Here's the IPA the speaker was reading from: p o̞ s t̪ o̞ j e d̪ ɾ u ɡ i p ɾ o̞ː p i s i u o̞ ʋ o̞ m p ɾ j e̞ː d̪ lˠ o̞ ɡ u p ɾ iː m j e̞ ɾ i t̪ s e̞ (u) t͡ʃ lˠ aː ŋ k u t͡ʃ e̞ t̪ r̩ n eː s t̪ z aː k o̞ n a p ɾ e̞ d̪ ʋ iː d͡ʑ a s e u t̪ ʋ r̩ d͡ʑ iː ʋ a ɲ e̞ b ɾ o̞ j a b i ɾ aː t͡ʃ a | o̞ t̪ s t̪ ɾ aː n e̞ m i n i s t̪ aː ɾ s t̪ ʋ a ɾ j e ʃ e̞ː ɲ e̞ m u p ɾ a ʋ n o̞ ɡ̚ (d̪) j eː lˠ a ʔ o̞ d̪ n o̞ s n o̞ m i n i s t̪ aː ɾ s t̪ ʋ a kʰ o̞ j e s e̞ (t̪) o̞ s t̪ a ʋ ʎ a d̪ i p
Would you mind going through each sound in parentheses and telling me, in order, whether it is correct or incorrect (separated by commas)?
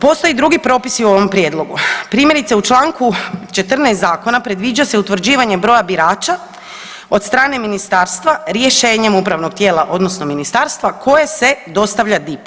correct, incorrect, incorrect